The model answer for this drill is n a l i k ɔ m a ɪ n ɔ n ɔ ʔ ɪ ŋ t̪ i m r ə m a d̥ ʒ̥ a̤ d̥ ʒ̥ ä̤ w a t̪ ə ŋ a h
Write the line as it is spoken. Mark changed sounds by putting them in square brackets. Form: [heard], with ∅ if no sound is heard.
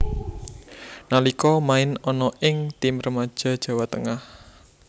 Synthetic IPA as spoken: n a l i k ɔ m a ɪ n ɔ n ɔ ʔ ɪ ŋ t̪ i m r ə m a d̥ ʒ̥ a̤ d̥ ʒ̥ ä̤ w a t̪ ə ŋ a h

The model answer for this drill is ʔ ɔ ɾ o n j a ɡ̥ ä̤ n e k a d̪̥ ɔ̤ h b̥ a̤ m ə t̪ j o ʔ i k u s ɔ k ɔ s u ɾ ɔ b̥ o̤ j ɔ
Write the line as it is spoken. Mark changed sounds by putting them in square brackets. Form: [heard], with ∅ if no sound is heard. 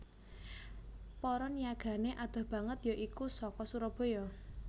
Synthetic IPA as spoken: [p] ɔ ɾ [ɔ] n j a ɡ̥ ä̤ n e [ʔ] a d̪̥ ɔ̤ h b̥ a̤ [ŋ] ə t̪ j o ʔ i k u s ɔ k ɔ s u ɾ ɔ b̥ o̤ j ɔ

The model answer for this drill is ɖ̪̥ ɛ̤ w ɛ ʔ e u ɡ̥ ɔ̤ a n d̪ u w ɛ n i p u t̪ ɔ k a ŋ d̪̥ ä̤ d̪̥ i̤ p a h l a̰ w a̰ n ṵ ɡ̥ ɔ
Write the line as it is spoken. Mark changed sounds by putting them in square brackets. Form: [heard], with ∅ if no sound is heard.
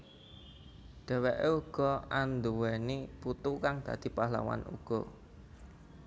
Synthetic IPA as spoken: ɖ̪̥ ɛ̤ w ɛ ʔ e u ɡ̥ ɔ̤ a n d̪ u w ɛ n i p u t̪ [u] k a ŋ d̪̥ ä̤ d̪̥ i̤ p a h l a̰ w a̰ n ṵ ɡ̥ ɔ

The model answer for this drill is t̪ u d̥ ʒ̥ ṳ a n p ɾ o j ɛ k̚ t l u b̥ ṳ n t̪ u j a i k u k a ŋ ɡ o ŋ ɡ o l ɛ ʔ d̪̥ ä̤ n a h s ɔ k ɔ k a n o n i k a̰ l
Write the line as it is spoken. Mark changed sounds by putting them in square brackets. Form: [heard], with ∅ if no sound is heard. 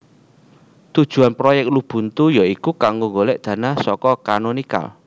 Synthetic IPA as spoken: t̪ u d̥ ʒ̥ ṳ a n p ɾ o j ɛ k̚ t l u b̥ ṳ n t̪ u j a i k u k a ŋ ɡ o ŋ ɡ o l ɛ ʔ d̪̥ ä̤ n a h s ɔ k ɔ k a n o n i k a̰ l

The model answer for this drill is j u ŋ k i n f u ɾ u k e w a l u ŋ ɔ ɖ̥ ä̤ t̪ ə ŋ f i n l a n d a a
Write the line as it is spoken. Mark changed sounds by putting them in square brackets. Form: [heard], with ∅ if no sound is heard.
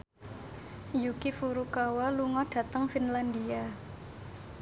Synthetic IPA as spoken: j u [∅] k i [∅] f u ɾ u k [a] w a l u ŋ ɔ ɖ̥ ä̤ t̪ ə ŋ f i n l a n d [i] a

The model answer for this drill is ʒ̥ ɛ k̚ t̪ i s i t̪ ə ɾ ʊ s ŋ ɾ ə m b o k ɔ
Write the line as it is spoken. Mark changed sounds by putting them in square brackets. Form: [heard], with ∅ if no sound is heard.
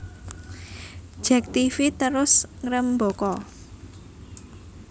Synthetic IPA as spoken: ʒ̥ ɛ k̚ t̪ i [f] i t̪ ə ɾ ʊ s ŋ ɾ ə m b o k ɔ

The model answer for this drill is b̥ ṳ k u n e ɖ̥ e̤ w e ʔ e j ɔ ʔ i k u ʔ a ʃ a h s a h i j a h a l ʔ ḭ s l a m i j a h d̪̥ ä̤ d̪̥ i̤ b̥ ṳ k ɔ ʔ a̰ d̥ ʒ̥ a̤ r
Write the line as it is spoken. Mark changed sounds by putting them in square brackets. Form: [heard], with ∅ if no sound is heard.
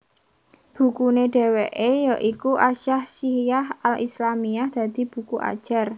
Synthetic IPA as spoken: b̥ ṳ k u n e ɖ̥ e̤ w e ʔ e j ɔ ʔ i k u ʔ a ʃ a h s [i] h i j a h a l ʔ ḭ s l a m i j a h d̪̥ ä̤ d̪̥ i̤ b̥ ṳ k [u] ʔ a̰ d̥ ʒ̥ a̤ r

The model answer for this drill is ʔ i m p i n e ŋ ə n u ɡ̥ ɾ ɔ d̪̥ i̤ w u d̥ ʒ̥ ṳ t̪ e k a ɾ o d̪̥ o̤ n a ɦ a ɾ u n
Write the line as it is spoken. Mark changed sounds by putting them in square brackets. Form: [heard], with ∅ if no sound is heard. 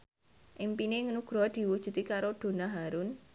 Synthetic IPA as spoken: ʔ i m p i n e ŋ ə n u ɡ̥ ɾ ɔ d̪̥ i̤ w u d̥ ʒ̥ ṳ t̪ [i] k a ɾ o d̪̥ o̤ n a ɦ a ɾ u n

